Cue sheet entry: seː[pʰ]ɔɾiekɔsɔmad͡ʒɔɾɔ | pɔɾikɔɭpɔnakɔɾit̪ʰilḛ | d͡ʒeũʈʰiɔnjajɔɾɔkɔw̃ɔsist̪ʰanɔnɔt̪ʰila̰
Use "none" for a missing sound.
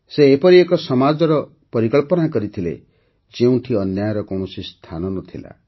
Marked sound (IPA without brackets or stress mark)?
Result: p